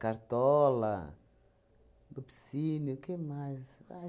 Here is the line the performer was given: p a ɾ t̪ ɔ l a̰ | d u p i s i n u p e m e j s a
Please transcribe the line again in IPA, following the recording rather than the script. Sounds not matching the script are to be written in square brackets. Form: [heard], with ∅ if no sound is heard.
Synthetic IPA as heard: [k] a ɾ t̪ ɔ l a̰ | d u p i s i n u [k] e m [a] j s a